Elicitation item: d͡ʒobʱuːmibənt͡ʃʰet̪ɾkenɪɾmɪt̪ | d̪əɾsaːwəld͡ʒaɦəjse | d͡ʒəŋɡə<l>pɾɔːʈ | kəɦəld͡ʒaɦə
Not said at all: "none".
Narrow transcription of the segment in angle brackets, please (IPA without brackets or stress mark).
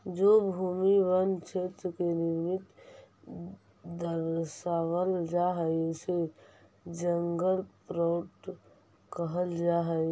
l